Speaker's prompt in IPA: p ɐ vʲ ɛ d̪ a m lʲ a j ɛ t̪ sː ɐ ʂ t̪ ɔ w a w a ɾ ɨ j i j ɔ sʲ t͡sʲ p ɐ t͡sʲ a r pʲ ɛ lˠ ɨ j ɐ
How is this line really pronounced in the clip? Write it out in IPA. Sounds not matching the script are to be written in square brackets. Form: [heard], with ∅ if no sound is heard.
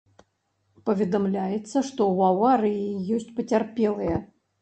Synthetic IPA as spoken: p ɐ vʲ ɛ d̪ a m lʲ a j ɛ t̪ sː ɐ ʂ t̪ ɔ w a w a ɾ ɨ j i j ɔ sʲ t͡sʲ p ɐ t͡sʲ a r pʲ ɛ lˠ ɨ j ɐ